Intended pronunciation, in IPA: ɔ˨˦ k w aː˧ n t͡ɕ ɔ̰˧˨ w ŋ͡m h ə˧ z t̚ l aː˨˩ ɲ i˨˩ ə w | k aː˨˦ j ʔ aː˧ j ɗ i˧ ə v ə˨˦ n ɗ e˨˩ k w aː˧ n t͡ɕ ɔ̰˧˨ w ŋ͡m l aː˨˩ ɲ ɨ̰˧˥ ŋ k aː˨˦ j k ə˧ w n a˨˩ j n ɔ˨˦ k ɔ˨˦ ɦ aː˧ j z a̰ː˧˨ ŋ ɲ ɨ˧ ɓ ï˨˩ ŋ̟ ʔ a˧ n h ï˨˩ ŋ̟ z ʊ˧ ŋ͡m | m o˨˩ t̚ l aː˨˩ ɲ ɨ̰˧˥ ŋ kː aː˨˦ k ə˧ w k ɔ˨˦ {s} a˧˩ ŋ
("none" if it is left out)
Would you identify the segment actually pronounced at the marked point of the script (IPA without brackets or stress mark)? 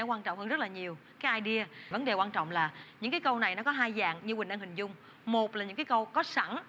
s